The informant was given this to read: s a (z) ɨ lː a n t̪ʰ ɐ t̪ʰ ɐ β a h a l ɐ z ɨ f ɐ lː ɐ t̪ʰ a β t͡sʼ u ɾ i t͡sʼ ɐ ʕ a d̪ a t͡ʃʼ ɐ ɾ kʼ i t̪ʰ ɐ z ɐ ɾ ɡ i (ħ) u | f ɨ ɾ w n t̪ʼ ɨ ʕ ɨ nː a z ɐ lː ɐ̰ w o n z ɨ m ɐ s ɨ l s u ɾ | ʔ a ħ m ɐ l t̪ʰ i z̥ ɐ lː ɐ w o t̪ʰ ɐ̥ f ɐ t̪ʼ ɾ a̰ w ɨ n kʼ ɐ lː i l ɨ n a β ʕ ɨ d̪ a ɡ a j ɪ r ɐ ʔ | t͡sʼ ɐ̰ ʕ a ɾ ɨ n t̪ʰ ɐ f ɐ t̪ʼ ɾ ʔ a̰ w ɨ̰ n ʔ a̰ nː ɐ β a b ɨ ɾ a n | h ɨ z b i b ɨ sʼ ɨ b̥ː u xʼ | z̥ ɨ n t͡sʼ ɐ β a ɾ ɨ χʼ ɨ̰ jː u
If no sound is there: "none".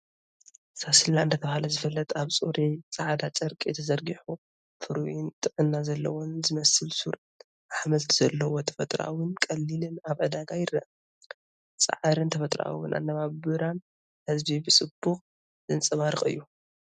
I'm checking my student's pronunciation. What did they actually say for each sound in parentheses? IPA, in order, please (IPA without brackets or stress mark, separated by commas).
s, ħ